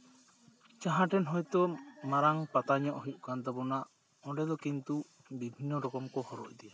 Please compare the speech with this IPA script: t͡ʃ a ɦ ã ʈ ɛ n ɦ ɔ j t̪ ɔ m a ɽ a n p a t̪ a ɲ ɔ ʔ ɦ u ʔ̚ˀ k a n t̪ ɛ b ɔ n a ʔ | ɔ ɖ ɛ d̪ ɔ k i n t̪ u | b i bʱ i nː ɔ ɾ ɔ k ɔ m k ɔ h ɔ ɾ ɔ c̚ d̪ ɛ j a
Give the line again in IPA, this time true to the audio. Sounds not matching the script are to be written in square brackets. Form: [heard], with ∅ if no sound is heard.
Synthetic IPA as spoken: t͡ʃ a ɦ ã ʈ ɛ n ɦ ɔ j t̪ ɔ m a [ɾ] a [ŋ] p a t̪ a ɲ ɔ ʔ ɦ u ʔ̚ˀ k a n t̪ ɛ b ɔ n a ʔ | ɔ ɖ ɛ d̪ ɔ k i n t̪ u | b i bʱ i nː ɔ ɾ ɔ k ɔ m k ɔ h ɔ ɾ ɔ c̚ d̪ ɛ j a